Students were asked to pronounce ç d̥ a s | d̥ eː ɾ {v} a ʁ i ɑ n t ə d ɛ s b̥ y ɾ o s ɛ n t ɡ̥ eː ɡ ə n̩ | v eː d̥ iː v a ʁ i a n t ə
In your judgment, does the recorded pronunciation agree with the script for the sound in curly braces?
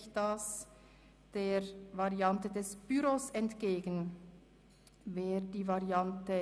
yes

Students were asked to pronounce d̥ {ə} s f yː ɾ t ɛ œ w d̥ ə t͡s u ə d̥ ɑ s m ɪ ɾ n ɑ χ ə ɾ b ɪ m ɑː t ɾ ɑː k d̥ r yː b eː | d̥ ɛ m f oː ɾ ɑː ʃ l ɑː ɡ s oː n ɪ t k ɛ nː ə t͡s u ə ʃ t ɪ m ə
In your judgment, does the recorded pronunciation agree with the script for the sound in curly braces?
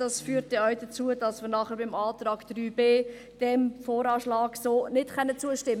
no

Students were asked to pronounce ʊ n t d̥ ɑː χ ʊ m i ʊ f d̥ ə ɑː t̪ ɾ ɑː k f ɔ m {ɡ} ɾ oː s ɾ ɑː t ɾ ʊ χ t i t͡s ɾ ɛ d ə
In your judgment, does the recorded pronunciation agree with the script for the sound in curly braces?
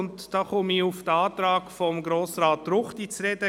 yes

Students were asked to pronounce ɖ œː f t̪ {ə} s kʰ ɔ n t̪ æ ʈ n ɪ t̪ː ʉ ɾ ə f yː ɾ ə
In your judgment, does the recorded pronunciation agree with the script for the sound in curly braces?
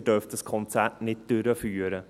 yes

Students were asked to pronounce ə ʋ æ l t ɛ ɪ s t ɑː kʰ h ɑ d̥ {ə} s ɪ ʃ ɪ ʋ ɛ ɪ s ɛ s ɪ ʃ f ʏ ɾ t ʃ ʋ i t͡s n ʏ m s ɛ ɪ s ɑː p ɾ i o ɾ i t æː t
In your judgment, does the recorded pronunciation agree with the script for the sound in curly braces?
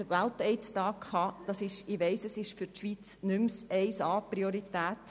no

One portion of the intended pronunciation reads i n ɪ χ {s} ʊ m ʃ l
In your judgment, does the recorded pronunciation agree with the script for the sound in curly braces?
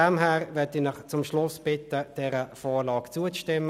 no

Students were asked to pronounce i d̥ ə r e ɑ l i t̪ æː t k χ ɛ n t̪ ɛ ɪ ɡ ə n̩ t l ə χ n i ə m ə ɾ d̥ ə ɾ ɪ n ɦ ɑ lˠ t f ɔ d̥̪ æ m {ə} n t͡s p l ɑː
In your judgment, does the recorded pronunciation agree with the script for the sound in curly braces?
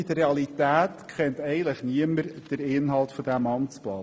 no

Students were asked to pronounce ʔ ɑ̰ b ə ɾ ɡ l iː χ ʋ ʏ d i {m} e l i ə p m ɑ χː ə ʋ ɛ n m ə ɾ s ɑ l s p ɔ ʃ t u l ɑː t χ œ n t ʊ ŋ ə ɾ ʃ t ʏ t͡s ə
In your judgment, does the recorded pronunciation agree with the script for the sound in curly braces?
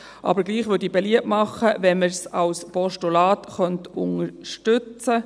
no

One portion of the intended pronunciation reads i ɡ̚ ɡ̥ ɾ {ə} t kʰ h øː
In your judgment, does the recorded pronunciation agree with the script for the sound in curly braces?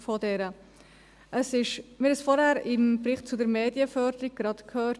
no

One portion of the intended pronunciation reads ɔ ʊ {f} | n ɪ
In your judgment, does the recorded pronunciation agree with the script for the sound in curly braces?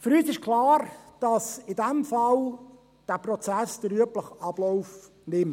yes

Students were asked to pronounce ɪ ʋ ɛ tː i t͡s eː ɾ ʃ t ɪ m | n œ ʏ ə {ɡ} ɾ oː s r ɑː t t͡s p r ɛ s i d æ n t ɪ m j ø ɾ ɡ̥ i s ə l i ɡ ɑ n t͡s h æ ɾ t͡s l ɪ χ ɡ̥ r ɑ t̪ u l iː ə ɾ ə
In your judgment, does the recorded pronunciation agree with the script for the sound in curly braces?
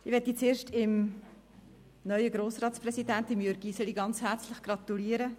yes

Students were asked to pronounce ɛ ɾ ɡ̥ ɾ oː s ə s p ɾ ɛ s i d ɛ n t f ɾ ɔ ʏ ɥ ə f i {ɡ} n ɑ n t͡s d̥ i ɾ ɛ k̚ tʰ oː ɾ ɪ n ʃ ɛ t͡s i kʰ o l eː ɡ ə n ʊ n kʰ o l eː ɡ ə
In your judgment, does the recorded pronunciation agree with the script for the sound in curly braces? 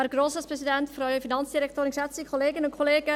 no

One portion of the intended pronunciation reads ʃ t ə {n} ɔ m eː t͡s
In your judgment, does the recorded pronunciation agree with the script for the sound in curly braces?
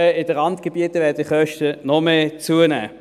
yes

